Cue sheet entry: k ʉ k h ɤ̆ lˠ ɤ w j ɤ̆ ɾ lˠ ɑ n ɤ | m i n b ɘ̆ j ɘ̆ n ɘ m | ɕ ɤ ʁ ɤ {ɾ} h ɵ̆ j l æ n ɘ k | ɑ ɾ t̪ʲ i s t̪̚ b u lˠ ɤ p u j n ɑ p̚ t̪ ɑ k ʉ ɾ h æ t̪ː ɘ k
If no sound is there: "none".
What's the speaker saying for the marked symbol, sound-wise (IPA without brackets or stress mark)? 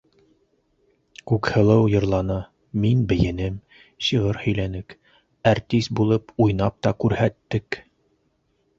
ɾ